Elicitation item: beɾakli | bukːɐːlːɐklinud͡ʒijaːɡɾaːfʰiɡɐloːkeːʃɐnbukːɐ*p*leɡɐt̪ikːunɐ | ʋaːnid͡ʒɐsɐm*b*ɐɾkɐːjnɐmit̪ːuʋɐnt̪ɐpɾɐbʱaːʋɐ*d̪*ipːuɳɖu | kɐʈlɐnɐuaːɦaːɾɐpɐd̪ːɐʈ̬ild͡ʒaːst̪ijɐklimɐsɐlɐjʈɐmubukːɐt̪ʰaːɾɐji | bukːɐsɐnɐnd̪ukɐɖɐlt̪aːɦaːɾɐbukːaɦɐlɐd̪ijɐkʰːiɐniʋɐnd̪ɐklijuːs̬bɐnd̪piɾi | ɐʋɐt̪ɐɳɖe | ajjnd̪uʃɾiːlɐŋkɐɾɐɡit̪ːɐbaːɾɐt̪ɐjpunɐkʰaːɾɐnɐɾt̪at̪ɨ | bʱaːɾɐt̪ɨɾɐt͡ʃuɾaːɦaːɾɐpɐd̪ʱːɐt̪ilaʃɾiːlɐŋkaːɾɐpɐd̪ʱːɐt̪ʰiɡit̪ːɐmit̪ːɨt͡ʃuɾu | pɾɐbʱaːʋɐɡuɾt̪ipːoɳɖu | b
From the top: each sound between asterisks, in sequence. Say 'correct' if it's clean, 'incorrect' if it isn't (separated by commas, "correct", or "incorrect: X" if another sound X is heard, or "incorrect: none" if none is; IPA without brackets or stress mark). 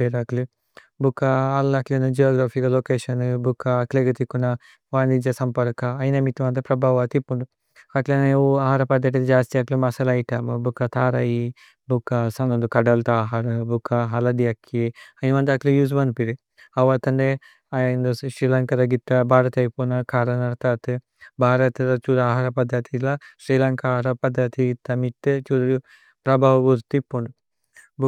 incorrect: k, incorrect: p, incorrect: t̪